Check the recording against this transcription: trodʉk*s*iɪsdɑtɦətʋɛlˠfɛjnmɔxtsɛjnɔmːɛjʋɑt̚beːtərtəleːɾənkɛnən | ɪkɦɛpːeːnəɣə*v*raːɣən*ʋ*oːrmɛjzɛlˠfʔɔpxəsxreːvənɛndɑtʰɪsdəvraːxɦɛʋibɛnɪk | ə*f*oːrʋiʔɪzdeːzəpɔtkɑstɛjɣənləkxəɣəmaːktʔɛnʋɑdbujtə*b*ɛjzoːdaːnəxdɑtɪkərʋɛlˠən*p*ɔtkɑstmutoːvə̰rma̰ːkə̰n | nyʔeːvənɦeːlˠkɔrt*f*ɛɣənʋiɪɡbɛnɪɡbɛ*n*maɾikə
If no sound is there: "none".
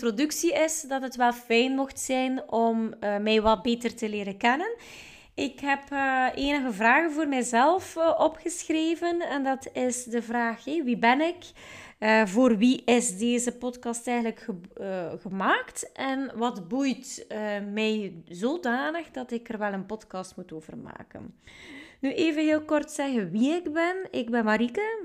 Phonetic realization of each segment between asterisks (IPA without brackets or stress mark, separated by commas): s, v, v, v, m, p, s, n